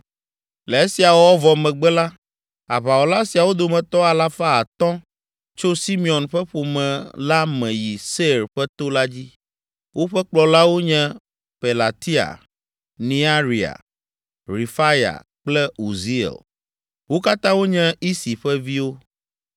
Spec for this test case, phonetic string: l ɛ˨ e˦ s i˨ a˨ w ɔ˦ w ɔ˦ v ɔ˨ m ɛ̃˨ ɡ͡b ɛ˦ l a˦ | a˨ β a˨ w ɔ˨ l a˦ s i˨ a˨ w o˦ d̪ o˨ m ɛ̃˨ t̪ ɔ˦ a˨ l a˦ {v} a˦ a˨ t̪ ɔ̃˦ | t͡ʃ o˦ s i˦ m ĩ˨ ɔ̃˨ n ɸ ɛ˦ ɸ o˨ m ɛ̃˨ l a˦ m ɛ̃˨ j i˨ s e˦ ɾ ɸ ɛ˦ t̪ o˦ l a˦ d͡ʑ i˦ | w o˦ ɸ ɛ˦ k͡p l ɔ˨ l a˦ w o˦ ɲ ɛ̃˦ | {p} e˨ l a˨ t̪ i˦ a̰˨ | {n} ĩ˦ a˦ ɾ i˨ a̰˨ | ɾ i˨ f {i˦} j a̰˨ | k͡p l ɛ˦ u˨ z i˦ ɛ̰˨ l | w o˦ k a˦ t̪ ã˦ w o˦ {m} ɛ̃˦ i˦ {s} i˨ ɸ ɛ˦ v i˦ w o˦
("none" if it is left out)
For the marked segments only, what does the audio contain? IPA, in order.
f, p, n, a˦, ɲ, s

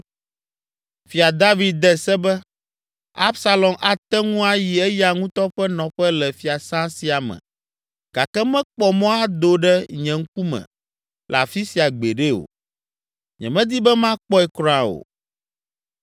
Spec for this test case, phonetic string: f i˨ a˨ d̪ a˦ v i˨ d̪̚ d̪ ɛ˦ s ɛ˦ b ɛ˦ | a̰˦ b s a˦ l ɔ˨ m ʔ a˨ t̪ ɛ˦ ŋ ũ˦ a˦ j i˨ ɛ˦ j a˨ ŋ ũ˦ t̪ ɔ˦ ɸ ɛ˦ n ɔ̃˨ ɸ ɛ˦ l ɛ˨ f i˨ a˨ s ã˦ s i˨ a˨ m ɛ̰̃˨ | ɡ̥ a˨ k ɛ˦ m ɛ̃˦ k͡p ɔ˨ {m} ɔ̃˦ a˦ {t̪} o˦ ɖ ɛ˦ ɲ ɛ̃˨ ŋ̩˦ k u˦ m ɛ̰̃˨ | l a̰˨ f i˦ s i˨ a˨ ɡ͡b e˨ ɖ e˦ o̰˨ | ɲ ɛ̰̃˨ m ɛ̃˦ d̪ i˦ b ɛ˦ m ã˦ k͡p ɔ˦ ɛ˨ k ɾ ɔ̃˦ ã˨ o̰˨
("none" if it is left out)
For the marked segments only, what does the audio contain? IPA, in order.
m, d̪

